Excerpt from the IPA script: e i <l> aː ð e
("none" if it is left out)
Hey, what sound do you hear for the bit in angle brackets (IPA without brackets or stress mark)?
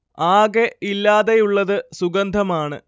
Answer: lː